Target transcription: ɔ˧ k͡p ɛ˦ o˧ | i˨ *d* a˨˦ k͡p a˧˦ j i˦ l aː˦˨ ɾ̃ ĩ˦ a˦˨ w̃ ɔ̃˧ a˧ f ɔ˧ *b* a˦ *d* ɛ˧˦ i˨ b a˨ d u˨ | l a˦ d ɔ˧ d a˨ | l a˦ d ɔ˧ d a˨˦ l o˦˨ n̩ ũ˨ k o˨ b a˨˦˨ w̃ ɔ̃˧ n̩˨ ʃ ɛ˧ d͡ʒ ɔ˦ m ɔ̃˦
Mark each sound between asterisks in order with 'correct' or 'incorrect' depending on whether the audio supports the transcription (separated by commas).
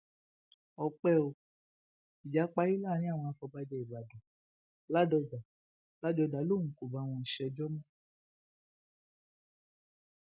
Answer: incorrect, correct, incorrect